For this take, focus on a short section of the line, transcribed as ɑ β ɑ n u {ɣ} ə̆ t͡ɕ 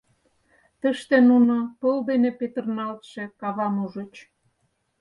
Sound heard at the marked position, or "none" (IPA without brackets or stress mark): ʒ